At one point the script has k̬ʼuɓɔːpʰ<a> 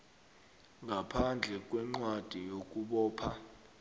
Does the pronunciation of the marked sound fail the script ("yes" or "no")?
no